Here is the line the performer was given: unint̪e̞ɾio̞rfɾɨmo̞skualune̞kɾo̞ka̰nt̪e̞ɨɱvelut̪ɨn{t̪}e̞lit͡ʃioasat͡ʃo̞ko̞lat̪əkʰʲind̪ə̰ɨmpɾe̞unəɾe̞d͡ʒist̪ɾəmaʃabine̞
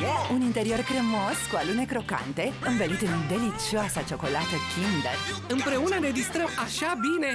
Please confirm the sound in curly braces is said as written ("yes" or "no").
no